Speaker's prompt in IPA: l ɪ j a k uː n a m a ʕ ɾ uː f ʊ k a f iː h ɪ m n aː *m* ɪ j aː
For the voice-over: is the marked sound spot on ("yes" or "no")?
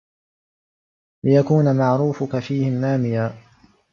yes